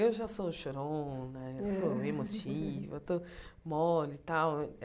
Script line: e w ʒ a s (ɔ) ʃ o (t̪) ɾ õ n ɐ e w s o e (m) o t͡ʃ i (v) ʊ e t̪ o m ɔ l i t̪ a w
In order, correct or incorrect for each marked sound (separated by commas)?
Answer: incorrect, incorrect, correct, correct